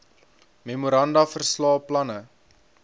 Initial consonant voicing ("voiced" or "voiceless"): voiced